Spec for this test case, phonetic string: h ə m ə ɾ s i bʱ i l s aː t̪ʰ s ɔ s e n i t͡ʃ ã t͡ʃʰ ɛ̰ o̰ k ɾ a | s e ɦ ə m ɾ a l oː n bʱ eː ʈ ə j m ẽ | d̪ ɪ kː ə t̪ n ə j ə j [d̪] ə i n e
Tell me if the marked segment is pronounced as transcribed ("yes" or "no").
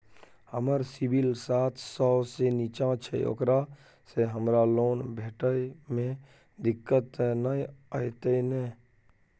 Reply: no